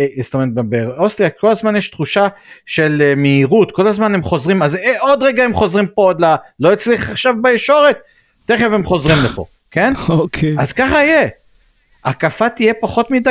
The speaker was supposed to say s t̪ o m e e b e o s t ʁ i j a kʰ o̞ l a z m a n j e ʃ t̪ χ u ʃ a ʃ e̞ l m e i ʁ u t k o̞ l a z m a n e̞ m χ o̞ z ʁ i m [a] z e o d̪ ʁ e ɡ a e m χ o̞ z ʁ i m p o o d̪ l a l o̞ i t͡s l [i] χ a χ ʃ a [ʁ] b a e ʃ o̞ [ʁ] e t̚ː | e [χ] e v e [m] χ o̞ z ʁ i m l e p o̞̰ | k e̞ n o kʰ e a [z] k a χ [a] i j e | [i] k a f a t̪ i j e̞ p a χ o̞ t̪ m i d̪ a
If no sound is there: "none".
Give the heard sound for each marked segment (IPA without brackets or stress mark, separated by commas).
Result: a, i, v, ʁ, χ, m, z, a, a